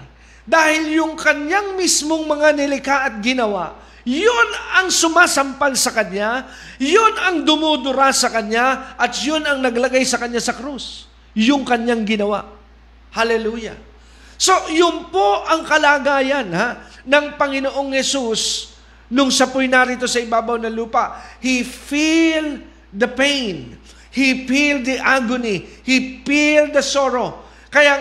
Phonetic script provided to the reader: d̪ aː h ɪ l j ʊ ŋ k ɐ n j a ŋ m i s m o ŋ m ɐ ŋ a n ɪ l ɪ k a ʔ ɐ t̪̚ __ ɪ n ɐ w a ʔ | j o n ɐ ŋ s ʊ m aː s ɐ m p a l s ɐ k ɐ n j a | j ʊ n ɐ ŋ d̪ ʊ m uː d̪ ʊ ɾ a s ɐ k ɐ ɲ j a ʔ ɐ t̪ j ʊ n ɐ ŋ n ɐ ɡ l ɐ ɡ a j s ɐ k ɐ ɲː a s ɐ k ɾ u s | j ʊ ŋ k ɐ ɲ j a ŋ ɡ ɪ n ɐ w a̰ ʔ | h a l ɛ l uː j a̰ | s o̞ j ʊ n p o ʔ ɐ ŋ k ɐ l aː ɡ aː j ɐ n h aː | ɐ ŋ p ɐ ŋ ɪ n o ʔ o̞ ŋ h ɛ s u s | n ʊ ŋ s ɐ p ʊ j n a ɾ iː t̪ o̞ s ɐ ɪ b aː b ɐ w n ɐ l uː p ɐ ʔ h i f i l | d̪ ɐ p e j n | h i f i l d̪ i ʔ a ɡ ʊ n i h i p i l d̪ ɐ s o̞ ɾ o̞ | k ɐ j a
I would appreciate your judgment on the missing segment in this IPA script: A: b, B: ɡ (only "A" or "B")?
B